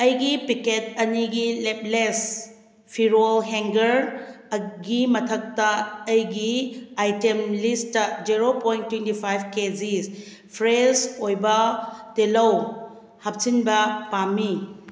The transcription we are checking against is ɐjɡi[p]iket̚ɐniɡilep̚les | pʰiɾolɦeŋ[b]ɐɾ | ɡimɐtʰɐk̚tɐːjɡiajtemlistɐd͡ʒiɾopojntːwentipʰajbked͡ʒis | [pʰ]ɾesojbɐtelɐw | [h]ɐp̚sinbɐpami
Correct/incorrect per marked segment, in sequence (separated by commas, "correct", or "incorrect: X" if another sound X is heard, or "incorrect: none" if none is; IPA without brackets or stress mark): correct, incorrect: ɡ, correct, correct